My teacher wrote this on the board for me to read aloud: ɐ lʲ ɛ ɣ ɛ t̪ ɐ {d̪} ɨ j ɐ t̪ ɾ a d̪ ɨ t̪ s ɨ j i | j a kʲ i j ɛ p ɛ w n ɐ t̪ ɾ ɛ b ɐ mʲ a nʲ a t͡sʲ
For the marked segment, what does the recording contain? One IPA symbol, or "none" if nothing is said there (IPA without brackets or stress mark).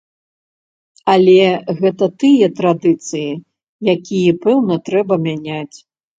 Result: t̪